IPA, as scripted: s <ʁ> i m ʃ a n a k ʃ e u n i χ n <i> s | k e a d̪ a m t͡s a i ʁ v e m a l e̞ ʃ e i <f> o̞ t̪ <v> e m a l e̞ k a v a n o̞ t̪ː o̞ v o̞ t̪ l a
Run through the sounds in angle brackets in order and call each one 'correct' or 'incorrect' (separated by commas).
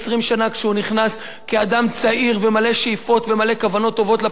correct, incorrect, correct, correct